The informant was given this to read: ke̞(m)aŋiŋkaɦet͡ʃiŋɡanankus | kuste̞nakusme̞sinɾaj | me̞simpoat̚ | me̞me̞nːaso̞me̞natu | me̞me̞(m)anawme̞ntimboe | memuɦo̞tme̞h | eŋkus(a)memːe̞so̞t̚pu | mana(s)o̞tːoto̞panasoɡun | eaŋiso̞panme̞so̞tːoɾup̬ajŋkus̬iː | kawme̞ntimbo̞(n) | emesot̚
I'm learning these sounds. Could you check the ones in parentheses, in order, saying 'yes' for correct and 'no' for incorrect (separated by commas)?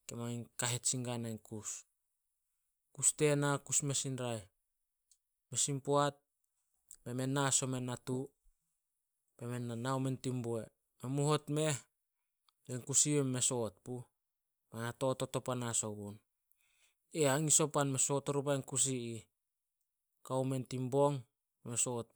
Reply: yes, no, no, no, no